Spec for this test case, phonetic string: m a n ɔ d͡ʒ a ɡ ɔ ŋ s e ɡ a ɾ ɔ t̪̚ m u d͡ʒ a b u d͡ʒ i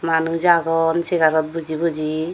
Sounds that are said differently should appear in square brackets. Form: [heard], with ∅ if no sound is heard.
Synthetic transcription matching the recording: m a n [u] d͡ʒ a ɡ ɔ [n] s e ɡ a ɾ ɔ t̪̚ [b] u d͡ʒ [i] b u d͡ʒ i